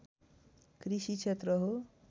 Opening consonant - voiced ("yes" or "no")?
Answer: no